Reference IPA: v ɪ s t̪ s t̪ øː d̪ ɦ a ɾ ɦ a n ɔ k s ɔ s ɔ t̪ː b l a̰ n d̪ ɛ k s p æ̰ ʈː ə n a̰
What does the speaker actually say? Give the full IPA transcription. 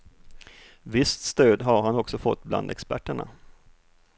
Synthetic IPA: v ɪ s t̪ s t̪ øː d̪ ɦ a ɾ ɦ a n ɔ k s ɔ f ɔ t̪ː b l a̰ n d̪ ɛ k s p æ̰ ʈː ə ɳ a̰